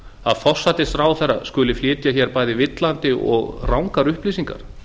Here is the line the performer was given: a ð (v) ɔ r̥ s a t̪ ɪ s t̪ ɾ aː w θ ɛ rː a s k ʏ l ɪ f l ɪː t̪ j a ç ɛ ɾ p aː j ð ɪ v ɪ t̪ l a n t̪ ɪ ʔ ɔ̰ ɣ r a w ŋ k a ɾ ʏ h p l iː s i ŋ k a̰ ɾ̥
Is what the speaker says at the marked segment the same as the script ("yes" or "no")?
no